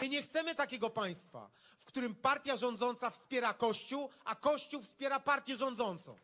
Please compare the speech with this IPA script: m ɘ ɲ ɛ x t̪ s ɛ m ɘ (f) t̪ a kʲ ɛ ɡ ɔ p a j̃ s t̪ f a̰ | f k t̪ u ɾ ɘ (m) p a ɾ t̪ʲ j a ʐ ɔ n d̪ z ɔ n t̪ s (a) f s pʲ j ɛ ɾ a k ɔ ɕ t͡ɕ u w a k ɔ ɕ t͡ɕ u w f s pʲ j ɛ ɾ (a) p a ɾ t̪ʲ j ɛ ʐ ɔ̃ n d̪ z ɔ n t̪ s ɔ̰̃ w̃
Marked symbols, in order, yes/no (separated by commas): no, yes, yes, yes